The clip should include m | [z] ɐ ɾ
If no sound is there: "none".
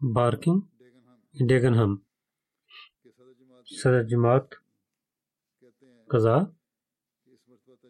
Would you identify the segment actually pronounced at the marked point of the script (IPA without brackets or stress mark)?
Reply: s